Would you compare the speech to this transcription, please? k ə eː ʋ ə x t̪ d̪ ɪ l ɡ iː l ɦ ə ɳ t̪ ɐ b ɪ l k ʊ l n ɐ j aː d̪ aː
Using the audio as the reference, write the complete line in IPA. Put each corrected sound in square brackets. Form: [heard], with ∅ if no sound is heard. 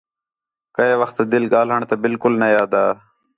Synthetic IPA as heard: k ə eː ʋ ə x t̪ d̪ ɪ l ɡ [aː] l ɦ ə ɳ t̪ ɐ b ɪ l k ʊ l n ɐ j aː d̪ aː